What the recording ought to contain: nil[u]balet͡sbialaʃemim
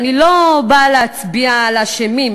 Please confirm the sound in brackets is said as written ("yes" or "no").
no